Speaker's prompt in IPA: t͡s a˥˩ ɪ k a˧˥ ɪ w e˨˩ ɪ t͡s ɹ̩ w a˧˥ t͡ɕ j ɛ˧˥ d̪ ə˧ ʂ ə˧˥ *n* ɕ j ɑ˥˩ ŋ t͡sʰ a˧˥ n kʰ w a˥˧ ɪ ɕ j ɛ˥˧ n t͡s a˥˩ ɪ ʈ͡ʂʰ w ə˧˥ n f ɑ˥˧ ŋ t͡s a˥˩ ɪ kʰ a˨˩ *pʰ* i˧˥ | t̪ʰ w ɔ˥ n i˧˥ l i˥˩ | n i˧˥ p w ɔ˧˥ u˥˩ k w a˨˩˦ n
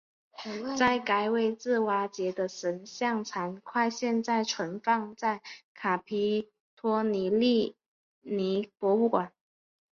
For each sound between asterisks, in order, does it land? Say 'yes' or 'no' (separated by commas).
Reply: yes, yes